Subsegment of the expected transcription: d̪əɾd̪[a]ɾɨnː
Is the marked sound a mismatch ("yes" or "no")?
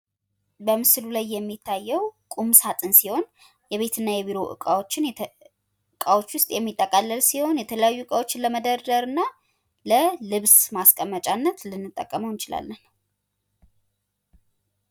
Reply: yes